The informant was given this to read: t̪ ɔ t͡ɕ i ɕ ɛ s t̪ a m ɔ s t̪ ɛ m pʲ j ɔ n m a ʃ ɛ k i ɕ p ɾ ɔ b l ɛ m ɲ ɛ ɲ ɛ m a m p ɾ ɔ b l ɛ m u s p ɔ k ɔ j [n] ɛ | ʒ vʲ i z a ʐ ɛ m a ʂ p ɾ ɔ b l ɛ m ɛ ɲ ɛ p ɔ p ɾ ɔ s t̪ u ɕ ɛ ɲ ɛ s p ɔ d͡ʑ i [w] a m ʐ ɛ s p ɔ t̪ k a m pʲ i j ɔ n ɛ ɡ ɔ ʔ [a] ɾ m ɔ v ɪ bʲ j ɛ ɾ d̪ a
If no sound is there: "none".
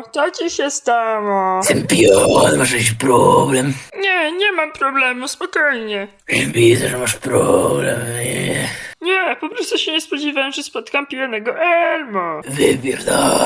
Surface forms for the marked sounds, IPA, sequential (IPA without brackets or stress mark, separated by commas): ɲ, v, ɛ